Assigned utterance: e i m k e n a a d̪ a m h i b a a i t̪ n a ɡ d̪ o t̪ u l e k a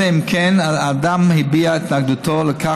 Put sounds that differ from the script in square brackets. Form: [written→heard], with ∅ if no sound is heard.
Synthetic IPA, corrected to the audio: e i m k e n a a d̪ a m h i b [a→i] a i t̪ n a ɡ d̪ [o→u] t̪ [u→o] l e k a